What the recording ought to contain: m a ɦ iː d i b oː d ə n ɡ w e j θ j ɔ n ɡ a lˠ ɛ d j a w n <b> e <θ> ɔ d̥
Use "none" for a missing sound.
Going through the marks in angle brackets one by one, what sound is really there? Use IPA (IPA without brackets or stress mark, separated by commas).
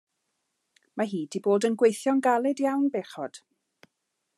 b, χ